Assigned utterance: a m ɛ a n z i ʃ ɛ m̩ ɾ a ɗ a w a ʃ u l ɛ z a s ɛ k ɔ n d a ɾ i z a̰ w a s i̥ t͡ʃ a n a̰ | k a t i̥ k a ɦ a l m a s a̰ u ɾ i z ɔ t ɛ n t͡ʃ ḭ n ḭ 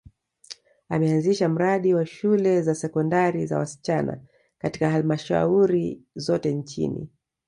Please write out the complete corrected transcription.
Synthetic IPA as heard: a m ɛ a n z i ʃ a m̩ ɾ a ɗ i w a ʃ u l ɛ z a s ɛ k ɔ n d a ɾ i z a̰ w a s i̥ t͡ʃ a n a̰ | k a t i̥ k a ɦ a l m a ʃ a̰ u ɾ i z ɔ t ɛ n t͡ʃ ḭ n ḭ